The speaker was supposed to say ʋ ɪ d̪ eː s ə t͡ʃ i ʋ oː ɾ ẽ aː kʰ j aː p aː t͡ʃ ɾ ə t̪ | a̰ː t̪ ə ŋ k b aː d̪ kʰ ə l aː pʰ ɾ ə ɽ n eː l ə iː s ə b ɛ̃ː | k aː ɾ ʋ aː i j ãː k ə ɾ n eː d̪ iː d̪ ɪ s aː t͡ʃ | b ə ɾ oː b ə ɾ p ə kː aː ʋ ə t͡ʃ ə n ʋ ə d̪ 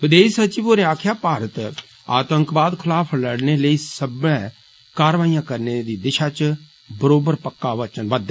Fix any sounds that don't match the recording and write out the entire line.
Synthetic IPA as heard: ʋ ɪ d̪ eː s ə t͡ʃ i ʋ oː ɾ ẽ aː kʰ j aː p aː ɾ ə t̪ | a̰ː t̪ ə ŋ k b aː d̪ kʰ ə l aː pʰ l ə ɽ n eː l ə iː s ə b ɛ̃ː | k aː ɾ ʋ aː i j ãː k ə ɾ n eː d̪ iː d̪ ɪ ʃ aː t͡ʃ | b ə ɾ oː b ə ɾ p ə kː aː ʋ ə t͡ʃ ə n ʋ ə d̪